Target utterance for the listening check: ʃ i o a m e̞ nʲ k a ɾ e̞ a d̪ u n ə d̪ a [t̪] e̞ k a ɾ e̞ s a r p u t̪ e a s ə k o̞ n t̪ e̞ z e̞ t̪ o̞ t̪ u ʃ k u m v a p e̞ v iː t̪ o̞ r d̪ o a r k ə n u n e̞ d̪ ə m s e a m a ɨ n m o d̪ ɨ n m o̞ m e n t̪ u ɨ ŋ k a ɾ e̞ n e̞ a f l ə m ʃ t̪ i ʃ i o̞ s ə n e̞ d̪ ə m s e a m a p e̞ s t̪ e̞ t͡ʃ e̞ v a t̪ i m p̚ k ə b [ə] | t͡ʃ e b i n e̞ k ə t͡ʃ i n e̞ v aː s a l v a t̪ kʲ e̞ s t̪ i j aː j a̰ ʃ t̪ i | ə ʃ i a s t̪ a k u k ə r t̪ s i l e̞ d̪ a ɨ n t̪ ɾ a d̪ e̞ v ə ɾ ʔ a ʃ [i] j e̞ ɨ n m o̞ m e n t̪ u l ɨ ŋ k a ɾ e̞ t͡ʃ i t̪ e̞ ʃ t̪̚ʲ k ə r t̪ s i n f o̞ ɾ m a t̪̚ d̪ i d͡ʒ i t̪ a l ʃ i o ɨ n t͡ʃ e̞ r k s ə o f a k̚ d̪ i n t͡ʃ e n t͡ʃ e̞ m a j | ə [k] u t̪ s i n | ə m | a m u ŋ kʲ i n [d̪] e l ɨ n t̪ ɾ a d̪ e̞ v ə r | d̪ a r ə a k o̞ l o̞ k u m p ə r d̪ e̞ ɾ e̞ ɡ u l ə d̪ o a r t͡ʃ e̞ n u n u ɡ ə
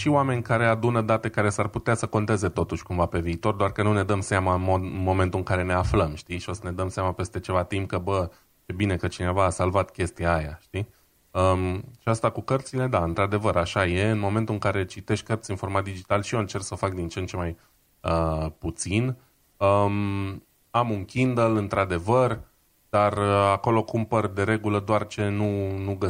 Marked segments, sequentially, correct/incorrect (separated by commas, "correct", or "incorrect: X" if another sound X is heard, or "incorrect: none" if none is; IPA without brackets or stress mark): correct, correct, incorrect: a, incorrect: p, correct